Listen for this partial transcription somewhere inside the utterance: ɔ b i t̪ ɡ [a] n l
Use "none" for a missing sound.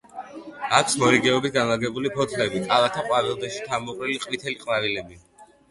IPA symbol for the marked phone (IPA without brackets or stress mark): a